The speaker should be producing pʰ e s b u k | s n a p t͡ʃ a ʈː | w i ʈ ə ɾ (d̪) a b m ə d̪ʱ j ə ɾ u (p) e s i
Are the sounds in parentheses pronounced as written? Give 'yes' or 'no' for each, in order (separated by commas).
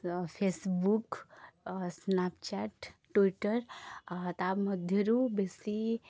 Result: no, no